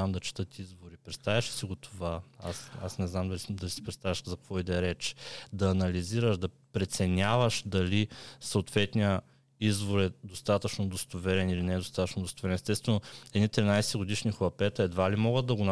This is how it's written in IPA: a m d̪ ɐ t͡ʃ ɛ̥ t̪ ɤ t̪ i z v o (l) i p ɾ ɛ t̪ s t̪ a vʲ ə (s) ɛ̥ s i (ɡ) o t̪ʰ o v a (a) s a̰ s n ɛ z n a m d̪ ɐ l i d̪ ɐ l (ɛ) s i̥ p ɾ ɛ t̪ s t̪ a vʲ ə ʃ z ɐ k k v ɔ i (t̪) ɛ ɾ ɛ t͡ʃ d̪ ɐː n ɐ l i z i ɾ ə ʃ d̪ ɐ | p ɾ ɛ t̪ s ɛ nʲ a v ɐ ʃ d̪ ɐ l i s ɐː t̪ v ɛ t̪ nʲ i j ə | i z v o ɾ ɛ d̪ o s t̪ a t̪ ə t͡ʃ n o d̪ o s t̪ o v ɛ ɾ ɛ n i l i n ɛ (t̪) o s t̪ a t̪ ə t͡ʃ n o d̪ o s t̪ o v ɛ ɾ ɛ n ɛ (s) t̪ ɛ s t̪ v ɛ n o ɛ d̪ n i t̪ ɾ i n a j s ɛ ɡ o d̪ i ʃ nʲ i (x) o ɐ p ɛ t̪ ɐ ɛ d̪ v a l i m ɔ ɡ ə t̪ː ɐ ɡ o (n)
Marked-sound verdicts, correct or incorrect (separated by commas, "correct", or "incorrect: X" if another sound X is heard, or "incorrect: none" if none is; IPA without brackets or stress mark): incorrect: ɾ, incorrect: ʃ, correct, correct, incorrect: i, incorrect: d̪, incorrect: d̪, correct, correct, correct